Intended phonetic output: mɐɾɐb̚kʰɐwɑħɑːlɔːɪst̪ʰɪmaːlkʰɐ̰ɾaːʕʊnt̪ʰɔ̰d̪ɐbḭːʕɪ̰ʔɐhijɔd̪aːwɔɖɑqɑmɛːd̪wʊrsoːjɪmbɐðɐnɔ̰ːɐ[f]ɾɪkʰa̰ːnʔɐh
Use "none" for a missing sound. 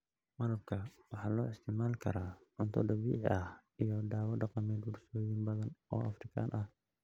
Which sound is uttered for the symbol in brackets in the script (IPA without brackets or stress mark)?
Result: f